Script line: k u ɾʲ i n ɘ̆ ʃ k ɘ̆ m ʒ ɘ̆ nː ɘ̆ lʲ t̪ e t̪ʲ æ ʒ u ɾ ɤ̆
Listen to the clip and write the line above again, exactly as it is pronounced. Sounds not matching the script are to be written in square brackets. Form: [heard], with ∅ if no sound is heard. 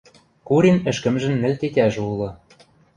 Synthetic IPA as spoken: k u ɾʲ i n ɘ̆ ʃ k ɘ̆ m ʒ ɘ̆ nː ɘ̆ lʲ t̪ e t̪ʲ æ ʒ u [l] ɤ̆